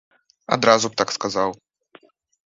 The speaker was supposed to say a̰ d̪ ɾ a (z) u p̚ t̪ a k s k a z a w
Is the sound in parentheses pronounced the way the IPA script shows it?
yes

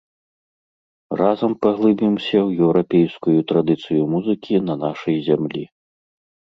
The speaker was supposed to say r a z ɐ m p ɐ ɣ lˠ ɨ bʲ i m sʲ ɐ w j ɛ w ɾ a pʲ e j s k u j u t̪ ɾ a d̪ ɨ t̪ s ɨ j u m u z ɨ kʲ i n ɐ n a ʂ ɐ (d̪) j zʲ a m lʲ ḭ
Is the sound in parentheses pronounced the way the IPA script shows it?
no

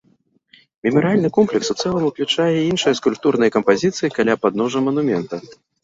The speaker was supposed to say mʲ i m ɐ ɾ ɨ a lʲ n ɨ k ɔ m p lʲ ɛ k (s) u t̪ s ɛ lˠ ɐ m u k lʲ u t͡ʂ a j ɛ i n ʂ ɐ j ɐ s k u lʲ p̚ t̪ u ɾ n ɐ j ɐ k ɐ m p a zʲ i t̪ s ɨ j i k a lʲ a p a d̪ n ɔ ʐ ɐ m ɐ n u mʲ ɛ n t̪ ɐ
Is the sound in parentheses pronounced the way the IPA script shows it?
yes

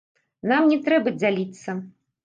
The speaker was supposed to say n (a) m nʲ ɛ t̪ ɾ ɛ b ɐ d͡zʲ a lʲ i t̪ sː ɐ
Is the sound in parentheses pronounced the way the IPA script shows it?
yes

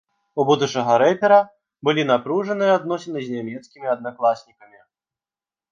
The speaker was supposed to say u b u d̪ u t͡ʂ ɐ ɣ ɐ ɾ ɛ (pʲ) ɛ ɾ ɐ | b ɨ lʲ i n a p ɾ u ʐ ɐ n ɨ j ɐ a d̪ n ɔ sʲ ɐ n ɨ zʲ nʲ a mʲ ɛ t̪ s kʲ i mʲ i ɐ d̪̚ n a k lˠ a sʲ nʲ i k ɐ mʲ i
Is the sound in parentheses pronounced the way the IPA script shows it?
yes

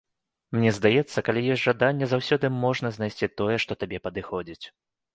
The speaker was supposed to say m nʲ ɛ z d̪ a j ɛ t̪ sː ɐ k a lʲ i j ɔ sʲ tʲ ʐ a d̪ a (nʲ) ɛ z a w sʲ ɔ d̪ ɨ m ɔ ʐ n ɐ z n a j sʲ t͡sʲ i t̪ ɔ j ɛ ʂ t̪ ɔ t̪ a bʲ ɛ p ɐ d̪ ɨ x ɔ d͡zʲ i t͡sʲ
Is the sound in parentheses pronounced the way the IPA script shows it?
no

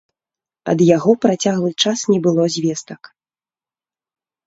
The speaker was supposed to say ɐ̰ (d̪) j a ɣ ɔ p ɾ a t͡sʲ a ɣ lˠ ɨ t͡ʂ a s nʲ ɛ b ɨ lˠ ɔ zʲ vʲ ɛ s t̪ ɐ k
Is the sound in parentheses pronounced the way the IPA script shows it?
yes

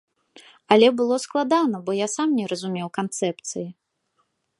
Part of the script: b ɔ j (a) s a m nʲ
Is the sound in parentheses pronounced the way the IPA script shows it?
yes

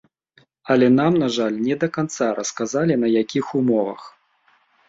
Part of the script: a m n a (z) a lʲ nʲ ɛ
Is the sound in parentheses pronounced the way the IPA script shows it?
no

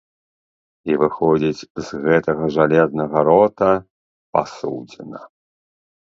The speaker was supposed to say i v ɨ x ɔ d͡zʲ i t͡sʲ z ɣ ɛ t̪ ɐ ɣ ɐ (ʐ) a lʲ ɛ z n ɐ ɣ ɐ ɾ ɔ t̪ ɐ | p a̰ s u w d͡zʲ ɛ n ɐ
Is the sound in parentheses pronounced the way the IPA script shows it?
yes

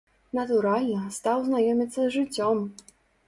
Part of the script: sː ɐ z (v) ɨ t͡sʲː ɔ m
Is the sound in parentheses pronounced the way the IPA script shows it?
no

